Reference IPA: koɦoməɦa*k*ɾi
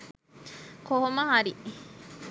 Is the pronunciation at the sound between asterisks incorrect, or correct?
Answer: incorrect: none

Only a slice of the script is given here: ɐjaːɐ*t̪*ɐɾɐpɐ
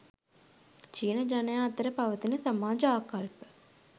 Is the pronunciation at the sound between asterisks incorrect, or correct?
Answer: correct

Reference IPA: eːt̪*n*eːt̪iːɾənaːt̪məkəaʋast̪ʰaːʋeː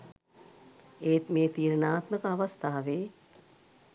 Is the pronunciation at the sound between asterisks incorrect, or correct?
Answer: incorrect: m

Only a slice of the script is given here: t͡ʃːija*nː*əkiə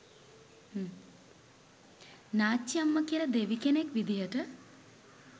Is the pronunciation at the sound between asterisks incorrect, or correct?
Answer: incorrect: mː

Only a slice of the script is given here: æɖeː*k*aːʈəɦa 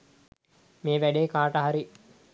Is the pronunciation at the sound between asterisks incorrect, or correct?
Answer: correct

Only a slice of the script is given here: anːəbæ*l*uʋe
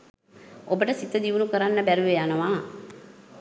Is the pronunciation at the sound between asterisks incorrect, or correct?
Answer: incorrect: ɾ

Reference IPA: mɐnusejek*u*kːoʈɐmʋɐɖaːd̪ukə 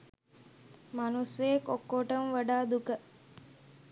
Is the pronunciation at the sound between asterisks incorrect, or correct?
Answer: incorrect: o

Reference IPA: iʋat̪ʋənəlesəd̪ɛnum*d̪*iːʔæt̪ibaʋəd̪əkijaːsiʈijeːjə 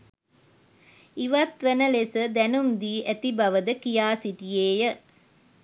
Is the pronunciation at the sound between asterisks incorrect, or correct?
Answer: correct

